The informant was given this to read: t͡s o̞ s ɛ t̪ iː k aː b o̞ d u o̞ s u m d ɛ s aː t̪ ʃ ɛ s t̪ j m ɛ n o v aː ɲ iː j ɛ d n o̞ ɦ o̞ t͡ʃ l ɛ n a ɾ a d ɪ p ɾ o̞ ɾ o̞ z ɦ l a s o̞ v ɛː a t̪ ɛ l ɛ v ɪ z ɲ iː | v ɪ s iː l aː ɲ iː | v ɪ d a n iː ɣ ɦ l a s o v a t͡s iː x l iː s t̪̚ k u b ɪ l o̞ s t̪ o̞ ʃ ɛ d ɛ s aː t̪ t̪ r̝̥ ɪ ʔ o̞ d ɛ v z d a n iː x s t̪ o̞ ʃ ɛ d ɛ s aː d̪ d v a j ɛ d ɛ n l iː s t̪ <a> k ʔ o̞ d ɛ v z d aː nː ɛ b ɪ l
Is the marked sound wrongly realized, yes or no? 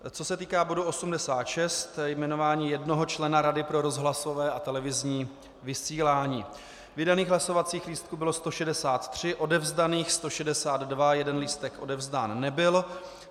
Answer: yes